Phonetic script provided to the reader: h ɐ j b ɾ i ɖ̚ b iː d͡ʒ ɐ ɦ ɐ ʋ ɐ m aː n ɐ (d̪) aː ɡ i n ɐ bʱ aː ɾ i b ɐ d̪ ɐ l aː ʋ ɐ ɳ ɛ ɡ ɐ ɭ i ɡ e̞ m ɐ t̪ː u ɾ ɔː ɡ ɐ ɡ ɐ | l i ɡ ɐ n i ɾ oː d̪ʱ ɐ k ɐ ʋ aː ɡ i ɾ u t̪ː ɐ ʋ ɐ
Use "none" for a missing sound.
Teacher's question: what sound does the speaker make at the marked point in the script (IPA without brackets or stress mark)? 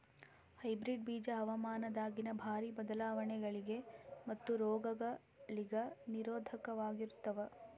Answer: d̪